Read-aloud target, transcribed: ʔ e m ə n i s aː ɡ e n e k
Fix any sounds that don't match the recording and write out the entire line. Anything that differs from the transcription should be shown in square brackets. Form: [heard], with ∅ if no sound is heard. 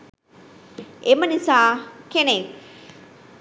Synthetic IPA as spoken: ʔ e m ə n i s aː [k] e n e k